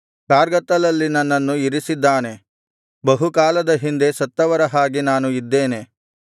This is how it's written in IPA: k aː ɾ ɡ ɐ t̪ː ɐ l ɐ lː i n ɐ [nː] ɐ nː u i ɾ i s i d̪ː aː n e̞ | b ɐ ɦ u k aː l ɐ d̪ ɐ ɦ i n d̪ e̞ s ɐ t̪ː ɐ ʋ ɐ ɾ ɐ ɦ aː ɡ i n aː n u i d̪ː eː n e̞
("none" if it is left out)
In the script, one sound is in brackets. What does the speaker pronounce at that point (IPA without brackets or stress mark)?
nː